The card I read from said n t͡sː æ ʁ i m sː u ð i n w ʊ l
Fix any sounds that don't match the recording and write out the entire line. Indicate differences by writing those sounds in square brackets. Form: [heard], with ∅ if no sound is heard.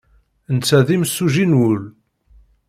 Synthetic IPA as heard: n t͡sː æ [ð] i m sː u [ʒ] i n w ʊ l